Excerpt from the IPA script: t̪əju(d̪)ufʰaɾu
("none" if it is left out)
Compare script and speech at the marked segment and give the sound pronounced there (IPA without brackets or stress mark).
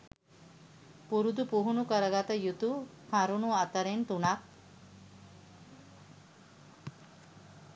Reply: t̪